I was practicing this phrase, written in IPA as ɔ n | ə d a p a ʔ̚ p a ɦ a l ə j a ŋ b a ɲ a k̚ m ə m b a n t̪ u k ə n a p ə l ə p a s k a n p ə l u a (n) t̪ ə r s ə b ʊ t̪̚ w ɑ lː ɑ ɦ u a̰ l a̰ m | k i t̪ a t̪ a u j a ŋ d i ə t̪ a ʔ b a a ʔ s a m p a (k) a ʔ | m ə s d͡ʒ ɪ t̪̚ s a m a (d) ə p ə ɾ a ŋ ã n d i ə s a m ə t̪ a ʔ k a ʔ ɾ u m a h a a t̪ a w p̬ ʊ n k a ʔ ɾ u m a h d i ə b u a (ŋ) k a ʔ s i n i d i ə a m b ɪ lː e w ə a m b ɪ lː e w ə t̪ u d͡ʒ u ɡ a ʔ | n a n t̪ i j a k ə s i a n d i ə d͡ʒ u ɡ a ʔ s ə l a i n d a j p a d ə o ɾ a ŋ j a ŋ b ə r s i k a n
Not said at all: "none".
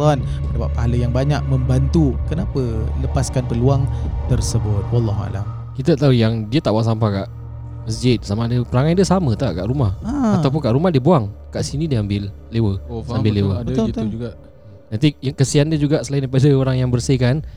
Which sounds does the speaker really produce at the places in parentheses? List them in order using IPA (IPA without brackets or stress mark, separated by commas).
ŋ, k, d, ŋ